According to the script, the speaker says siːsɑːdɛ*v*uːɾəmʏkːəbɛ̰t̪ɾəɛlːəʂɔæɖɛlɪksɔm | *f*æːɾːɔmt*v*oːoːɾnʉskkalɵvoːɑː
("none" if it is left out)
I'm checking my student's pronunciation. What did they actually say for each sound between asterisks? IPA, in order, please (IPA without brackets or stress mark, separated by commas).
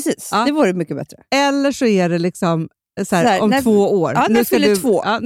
v, s, v